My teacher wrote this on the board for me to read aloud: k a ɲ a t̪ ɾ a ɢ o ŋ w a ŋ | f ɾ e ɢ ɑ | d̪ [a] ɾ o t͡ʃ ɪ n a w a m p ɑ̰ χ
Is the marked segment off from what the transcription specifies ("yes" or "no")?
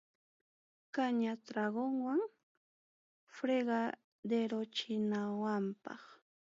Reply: yes